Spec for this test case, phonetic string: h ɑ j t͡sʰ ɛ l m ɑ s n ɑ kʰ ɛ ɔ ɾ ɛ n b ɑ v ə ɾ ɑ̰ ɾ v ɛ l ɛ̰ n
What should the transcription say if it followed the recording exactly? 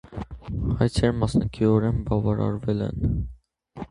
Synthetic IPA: h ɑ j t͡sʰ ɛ ɾ m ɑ s n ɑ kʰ i ɔ ɾ ɛ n b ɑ v ɑ ɾ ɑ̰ ɾ v ɛ l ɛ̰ n